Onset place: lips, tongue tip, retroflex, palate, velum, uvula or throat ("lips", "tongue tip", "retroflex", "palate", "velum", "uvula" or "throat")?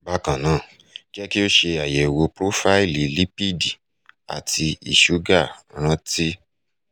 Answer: lips